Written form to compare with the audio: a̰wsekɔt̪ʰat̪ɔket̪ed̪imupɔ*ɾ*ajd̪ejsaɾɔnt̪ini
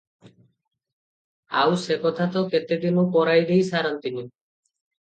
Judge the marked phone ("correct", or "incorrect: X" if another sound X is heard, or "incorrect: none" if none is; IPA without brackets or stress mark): correct